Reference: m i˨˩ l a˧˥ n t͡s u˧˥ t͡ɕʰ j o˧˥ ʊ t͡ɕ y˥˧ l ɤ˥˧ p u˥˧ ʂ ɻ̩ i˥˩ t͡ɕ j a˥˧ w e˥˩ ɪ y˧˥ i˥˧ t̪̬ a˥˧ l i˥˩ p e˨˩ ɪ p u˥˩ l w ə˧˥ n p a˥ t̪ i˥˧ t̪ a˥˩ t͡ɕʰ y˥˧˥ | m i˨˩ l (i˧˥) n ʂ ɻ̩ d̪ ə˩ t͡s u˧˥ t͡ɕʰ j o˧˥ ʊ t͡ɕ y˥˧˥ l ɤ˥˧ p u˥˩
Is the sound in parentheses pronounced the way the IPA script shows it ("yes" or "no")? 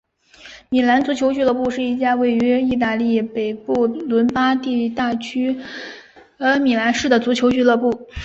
no